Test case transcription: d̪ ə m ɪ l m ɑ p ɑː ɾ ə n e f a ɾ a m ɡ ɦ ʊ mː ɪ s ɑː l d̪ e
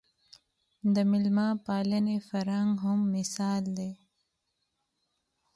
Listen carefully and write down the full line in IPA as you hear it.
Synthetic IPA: d̪ ə m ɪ l m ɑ p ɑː l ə n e f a ɾ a ŋ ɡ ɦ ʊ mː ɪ s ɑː l d̪ e